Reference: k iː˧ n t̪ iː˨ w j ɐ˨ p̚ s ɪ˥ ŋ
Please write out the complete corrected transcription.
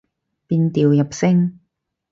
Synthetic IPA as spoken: p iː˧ n t̪ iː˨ w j ɐ˨ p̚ s ɪ˥ ŋ